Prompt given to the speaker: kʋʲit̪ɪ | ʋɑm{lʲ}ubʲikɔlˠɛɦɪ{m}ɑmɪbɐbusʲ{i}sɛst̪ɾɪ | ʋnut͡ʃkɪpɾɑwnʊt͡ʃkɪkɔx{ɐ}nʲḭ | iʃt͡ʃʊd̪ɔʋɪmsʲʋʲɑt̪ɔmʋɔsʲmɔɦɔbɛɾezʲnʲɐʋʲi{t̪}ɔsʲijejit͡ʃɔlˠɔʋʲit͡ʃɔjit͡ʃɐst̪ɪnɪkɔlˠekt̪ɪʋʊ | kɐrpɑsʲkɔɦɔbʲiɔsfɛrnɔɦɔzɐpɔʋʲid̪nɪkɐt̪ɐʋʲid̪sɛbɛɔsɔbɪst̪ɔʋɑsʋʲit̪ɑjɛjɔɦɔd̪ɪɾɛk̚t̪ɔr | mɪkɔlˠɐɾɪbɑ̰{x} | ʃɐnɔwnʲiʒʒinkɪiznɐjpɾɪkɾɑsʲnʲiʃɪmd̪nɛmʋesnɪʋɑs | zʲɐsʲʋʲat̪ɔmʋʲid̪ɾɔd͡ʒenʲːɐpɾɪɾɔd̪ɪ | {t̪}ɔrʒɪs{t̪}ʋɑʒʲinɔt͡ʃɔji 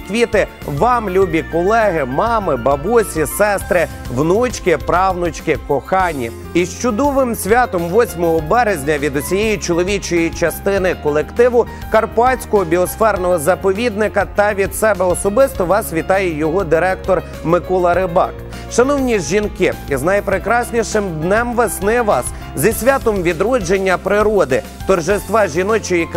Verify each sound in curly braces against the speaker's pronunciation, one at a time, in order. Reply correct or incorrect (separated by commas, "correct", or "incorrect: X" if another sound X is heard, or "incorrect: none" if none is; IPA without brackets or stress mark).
correct, correct, correct, incorrect: ɑ, incorrect: d̪, incorrect: k, correct, correct